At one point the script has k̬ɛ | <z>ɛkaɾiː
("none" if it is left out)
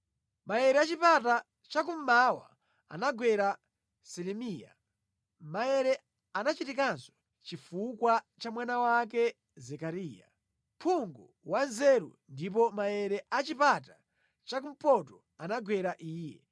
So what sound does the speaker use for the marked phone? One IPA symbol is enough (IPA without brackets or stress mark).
z